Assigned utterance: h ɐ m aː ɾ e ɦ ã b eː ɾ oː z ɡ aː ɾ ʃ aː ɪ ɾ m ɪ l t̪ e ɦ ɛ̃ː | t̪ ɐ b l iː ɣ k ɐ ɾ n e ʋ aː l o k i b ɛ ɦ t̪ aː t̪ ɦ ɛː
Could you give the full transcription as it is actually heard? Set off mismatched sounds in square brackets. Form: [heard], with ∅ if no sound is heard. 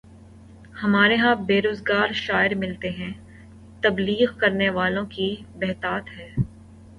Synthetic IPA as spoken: h ɐ m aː ɾ e ɦ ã b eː ɾ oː z ɡ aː ɾ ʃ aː ɪ ɾ m ɪ l t̪ e ɦ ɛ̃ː | t̪ ɐ b l iː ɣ k ɐ ɾ n e ʋ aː l [õ] k i b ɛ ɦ t̪ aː t̪ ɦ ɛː